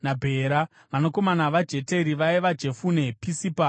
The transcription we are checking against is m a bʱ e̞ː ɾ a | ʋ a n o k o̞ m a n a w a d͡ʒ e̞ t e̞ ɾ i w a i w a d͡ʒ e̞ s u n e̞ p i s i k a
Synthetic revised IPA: n a bʱ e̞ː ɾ a | ʋ a n o k o̞ m a n a ʋ a d͡ʒ e̞ t e̞ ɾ i ʋ a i ʋ a d͡ʒ e̞ f u n e̞ p i s i p a

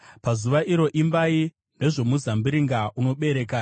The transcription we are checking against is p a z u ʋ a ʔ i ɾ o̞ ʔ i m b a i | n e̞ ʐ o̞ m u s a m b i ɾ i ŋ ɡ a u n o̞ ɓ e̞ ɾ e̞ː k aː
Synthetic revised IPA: p a z u ʋ a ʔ i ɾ o̞ ʔ i m b a i | n e̞ ʐ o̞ m u z a m b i ɾ i ŋ ɡ a u n o̞ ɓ e̞ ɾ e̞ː k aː

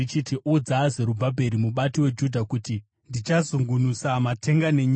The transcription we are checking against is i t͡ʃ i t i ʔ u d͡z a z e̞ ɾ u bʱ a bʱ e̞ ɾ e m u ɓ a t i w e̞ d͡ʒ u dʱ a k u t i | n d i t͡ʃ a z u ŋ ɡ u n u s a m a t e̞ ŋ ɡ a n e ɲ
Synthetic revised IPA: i t͡ʃ i t i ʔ u d͡z a z e̞ ɾ u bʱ a bʱ e̞ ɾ i m u ɓ a t i w e̞ d͡ʒ u dʱ a k u t i | n d i t͡ʃ a z u ŋ ɡ u n u s a m a t e̞ ŋ ɡ a n e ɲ

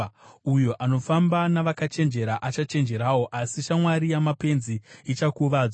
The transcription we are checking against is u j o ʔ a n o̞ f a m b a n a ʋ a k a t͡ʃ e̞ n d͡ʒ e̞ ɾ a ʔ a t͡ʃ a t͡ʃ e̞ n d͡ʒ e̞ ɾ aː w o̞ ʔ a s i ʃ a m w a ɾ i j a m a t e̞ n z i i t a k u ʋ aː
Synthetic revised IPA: u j o ʔ a n o̞ f a m b a n a ʋ a k a t͡ʃ e̞ n d͡ʒ e̞ ɾ a ʔ a t͡ʃ a t͡ʃ e̞ n d͡ʒ e̞ ɾ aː w o̞ ʔ a s i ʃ a m w a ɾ i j a m a p e̞ n z i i t͡ʃ a k u ʋ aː

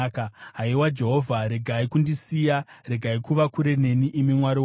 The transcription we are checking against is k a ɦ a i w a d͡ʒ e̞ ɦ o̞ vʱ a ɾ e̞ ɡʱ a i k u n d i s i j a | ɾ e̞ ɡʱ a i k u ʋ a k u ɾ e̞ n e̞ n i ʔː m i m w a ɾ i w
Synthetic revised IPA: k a ɦ a i w a d͡ʒ e̞ ɦ o̞ vʱ a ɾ e̞ ɡʱ a i k u n d i s i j a | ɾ e̞ ɡʱ a i k u ʋ a k u ɾ e̞ n e̞ n i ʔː m i m w a ɾ i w

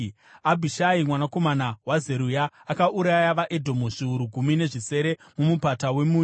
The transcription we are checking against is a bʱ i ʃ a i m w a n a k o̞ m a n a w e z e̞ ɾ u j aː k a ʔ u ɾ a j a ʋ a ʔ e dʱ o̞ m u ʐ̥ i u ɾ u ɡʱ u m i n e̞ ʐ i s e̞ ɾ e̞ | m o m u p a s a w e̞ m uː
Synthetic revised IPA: a bʱ i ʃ a i m w a n a k o̞ m a n a w a z e̞ ɾ u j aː k a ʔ u ɾ a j a ʋ a ʔ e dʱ o̞ m u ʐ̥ i u ɾ u ɡʱ u m i n e̞ ʐ i s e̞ ɾ e̞ | m u m u p a t a w e̞ m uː

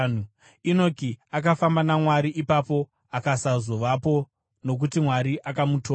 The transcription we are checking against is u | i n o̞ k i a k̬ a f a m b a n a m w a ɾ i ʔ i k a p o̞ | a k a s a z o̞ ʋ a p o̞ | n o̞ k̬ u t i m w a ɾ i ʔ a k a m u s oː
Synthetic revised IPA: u | i n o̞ k i a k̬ a f a m b a n a m w a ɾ i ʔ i p a p o̞ | a k a s a z o̞ ʋ a p o̞ | n o̞ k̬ u t i m w a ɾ i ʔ a k a m u t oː

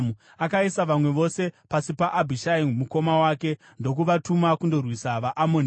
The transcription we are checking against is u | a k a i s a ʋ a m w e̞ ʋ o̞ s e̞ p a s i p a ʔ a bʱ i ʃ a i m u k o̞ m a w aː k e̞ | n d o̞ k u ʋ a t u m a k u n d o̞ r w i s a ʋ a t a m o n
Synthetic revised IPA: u | a k a i s a ʋ a m w e̞ ʋ o̞ s e̞ p a s i p a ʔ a bʱ i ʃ a i m u k o̞ m a w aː k e̞ | n d o̞ k u ʋ a t u m a k u n d o̞ r w i s a ʋ a ʔ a m o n

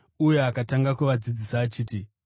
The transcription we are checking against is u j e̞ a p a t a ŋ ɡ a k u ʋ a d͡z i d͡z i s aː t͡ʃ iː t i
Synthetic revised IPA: u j e̞ a k a t a ŋ ɡ a k u ʋ a d͡z i d͡z i s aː t͡ʃ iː t i

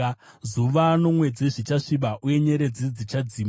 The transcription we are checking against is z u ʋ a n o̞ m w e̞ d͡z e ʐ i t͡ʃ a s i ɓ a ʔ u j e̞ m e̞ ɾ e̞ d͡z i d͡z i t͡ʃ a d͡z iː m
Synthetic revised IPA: z u ʋ a n o̞ m w e̞ d͡z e ʐ i t͡ʃ a ʂ i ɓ a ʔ u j e̞ ɲ e̞ ɾ e̞ d͡z i d͡z i t͡ʃ a d͡z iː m

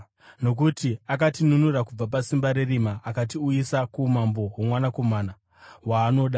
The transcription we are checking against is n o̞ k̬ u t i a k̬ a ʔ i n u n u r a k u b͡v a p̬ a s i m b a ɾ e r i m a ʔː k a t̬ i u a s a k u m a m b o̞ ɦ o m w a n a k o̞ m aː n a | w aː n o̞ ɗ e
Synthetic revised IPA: n o̞ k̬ u t i a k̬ a t i n u n u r a k u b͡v a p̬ a s i m b a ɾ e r i m a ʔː k a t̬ i u i s a k u m a m b o̞ ɦ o m w a n a k o̞ m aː n a | w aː n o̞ ɗ a

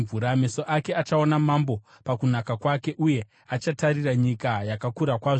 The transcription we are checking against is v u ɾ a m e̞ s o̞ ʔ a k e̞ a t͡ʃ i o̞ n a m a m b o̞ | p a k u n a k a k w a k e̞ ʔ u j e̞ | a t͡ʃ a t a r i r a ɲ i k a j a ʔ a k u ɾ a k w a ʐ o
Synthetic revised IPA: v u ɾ a m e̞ s o̞ ʔ a k e̞ a t͡ʃ a o̞ n a m a m b o̞ | p a k u n a k a k w a k e̞ ʔ u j e̞ | a t͡ʃ a t a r i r a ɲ i k a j a k a k u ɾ a k w a ʐ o

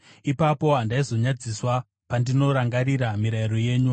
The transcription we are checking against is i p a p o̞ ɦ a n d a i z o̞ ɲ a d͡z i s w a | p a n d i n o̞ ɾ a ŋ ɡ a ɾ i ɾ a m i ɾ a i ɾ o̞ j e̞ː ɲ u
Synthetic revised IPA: i p a p o̞ ɦ a n d a i z o̞ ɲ a d͡z i s w a | p a n d i n o̞ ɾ a ŋ ɡ a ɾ i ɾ a m i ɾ a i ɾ o̞ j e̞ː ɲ u

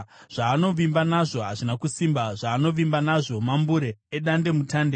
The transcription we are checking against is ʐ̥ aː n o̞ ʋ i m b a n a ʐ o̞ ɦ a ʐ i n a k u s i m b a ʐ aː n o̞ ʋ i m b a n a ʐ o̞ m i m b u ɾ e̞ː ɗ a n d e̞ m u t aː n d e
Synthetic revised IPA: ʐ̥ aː n o̞ ʋ i m b a n a ʐ o̞ ɦ a ʐ i n a k u s i m b a ʐ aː n o̞ ʋ i m b a n a ʐ o̞ m a m b u ɾ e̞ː ɗ a n d e̞ m u t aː n d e

